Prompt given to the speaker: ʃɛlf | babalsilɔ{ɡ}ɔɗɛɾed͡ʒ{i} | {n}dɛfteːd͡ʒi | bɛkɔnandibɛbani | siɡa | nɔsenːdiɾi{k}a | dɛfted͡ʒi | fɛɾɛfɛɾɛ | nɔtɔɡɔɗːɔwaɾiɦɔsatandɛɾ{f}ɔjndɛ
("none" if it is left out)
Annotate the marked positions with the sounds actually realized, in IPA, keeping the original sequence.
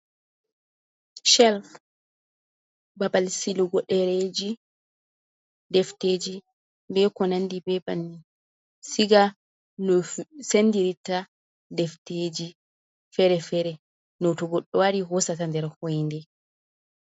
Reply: ɡ, i, d, t, h

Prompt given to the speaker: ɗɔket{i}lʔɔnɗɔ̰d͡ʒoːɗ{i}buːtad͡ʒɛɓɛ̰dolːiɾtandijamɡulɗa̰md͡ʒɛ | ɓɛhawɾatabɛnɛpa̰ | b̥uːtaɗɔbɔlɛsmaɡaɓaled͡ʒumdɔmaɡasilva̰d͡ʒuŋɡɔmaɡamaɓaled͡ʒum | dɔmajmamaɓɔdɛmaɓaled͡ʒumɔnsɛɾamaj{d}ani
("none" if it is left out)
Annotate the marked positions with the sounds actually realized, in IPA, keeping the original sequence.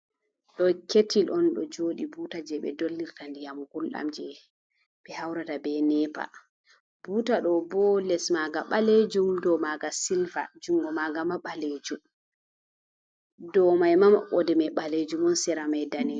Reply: i, i, d

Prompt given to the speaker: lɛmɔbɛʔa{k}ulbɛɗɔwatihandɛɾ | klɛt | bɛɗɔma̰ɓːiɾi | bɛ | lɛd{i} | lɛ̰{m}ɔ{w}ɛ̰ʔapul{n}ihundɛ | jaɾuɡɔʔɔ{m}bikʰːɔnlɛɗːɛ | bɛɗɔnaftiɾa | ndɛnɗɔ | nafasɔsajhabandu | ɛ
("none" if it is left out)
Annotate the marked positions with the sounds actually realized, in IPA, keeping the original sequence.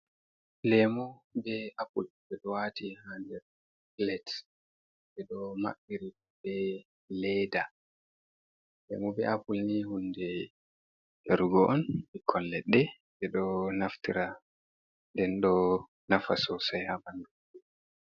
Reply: p, a, m, b, n, n

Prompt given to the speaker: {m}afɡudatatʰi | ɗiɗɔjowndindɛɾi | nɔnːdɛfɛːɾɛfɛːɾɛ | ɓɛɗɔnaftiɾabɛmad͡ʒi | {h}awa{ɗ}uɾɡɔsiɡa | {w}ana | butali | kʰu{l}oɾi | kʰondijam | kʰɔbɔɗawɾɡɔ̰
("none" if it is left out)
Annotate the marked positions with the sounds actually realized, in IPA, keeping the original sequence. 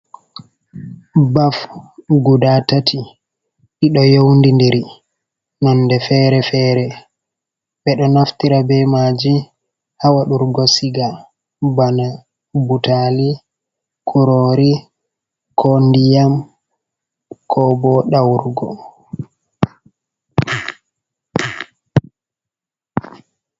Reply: b, h, ɗ, b, ɾ

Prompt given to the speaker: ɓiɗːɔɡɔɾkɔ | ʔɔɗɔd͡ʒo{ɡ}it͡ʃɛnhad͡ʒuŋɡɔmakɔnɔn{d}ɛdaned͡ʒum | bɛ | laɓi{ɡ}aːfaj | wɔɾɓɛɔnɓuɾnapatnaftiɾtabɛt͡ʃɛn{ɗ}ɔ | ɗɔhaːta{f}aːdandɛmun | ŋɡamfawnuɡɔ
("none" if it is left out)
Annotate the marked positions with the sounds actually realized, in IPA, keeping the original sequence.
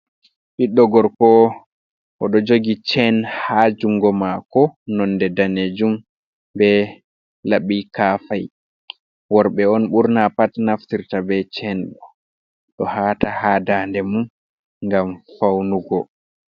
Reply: ɡ, d, k, ɗ, h

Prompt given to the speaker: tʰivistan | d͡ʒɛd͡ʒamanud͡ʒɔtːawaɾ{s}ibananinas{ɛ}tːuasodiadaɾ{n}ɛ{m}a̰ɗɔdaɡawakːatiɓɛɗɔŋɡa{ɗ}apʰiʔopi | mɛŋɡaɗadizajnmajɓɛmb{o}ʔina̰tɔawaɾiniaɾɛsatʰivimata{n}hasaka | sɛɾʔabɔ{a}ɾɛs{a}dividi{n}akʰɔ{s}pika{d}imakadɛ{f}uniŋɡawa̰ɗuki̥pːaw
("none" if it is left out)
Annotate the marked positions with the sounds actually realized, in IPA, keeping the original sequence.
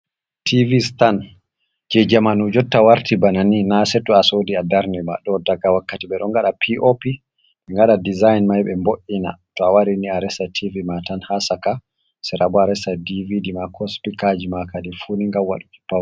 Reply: t, ɛ, n, m, ɗ, o, n, a, a, m, s, d͡ʒ, f

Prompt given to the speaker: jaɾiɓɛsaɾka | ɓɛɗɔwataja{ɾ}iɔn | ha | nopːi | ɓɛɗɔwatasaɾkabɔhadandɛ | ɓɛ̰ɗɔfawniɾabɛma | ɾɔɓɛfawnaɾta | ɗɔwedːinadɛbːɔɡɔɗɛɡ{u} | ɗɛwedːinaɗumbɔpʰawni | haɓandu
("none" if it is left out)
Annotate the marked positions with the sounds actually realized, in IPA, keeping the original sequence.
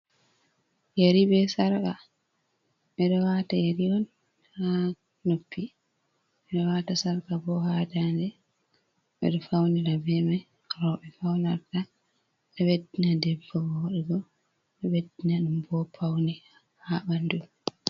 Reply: ɾ, ɔ

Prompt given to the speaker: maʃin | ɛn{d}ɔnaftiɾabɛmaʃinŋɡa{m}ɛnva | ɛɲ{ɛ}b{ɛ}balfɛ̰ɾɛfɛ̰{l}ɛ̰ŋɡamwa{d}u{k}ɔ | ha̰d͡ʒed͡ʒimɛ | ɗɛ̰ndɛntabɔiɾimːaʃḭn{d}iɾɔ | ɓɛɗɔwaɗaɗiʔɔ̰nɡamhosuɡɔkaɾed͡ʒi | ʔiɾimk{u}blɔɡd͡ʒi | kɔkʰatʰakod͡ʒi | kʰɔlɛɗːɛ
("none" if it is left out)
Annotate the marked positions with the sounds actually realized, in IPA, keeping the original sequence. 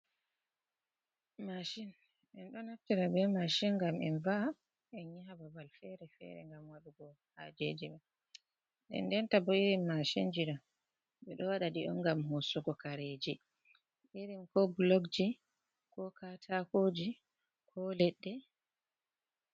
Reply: ɗ, m, a, a, ɾ, ɗ, ɡ, d͡ʒ, ɔ

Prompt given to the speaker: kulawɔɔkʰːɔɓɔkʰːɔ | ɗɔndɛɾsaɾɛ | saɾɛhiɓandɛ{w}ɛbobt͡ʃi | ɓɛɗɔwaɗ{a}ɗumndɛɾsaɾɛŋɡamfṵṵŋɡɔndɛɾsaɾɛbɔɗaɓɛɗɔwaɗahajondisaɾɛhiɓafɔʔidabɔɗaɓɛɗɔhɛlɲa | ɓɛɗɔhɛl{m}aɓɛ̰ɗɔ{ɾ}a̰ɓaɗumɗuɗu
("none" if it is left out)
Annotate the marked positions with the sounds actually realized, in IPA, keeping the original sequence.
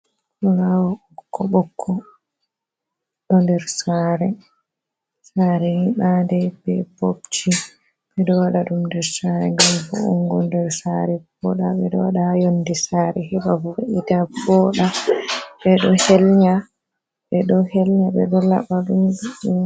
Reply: b, a, ɲ, l

